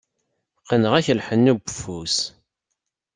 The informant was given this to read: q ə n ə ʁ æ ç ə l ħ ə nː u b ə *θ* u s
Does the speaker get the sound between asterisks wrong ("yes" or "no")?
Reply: yes